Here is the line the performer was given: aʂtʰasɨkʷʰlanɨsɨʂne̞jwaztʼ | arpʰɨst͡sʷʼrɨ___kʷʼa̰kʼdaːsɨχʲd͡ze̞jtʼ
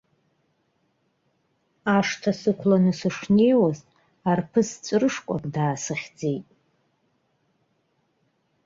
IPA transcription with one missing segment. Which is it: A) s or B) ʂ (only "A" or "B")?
B